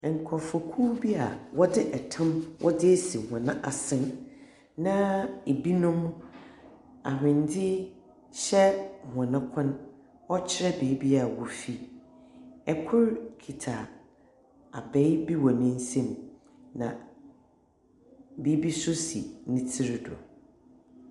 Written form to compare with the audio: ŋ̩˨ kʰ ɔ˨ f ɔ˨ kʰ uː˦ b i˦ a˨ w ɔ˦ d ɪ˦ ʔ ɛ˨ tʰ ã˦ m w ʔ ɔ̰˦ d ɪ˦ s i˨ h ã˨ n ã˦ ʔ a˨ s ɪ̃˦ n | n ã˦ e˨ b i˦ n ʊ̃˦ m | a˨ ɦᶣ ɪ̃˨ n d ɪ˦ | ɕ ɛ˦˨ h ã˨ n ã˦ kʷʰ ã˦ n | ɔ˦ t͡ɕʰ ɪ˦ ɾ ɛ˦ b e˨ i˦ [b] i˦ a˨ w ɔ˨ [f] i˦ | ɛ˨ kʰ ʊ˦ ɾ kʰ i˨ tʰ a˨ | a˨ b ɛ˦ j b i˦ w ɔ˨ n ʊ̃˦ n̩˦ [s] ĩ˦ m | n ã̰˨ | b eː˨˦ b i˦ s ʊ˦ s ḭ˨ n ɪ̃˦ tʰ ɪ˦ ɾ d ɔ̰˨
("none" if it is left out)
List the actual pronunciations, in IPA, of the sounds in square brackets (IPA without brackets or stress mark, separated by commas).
b, f, s